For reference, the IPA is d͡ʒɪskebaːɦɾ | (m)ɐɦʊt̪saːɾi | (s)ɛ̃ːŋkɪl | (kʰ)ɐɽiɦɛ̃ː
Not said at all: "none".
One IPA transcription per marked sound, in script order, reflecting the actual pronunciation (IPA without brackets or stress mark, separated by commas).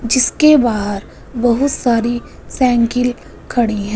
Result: b, s, kʰ